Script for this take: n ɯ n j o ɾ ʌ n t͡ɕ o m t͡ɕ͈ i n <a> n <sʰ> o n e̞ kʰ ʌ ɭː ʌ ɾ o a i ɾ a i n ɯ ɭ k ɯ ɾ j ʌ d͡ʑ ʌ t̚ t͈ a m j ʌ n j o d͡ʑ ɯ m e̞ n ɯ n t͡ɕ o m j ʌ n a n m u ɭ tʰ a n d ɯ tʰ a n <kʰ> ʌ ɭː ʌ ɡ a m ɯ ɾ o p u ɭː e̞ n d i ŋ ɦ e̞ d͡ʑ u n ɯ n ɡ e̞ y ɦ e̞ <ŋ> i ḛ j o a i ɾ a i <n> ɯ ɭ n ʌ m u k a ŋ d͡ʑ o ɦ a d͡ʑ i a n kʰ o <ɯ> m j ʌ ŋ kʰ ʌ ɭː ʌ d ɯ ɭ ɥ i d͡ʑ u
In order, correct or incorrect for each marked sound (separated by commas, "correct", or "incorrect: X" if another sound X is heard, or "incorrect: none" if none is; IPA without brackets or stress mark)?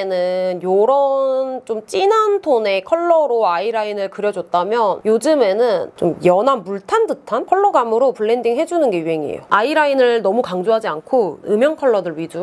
correct, incorrect: tʰ, correct, correct, correct, correct